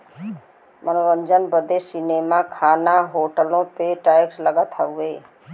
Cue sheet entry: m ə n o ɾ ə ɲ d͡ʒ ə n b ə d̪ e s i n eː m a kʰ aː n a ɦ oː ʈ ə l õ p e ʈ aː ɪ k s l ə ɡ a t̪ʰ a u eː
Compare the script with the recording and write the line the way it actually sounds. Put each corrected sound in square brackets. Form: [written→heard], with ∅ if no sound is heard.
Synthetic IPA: m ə n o ɾ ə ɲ d͡ʒ ə n b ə d̪ e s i n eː m a kʰ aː n a ɦ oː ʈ ə l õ p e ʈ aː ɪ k s l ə ɡ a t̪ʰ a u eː